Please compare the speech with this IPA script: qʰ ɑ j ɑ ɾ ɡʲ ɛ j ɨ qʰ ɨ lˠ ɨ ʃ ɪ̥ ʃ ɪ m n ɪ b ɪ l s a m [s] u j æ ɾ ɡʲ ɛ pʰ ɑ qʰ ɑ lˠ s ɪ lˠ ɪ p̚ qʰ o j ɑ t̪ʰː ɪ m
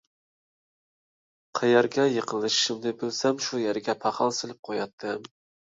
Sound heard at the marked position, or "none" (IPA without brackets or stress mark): ʃ